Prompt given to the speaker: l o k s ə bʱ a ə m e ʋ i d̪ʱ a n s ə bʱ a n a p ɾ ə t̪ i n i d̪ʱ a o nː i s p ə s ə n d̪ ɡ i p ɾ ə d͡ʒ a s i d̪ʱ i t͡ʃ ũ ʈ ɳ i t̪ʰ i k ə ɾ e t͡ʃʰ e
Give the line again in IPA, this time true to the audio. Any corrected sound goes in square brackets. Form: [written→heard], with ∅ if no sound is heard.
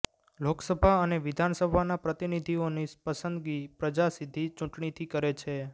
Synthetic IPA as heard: l o k s ə bʱ a ə [m→n] e ʋ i d̪ʱ a n s ə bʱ a n a p ɾ ə t̪ i n i d̪ʱ [a→i] o [nː→n] i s p ə s ə n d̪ ɡ i p ɾ ə d͡ʒ a s i d̪ʱ i t͡ʃ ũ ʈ ɳ i t̪ʰ i k ə ɾ e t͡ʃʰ e